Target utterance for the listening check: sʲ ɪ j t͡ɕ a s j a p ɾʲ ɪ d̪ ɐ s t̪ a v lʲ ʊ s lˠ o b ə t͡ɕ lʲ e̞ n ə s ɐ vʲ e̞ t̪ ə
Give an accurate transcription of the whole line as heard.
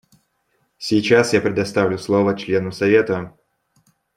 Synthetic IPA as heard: sʲ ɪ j t͡ɕ a s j a p ɾʲ ɪ d̪ ɐ s t̪ a v lʲ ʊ s lˠ o v ə t͡ɕ lʲ e̞ n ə s ɐ vʲ e̞ t̪ ə